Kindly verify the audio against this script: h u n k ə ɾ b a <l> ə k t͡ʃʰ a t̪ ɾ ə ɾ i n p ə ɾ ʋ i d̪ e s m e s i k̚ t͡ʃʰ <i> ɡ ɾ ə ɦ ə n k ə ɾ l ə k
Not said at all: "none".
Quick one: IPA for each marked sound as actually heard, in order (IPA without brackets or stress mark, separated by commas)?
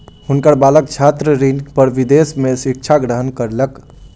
l, a